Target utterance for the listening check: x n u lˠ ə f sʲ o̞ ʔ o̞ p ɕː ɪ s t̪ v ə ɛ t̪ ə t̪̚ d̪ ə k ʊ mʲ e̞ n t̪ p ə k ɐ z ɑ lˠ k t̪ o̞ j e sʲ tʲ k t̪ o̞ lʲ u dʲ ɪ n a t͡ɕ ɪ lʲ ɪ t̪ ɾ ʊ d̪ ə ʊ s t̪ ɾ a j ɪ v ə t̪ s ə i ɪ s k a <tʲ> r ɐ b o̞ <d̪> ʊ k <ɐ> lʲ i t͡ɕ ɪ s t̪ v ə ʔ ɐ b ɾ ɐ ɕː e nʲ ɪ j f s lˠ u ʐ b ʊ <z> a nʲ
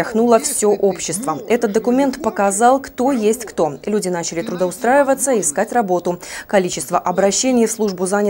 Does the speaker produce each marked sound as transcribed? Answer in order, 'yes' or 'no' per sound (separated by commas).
yes, no, yes, yes